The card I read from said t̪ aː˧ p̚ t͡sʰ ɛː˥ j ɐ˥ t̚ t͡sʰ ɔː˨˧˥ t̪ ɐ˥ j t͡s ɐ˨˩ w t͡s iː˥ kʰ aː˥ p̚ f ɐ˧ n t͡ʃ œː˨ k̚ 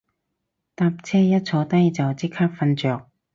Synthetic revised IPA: t̪ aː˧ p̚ t͡sʰ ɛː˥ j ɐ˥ t̚ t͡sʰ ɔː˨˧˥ t̪ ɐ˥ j t͡s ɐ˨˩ w t͡s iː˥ kʰ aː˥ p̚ f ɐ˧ n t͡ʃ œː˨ k̚